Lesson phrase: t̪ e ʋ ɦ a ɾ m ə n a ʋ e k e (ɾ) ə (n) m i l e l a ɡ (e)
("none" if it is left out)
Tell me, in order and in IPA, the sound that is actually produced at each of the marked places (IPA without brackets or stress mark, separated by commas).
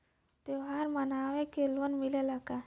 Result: l, n, a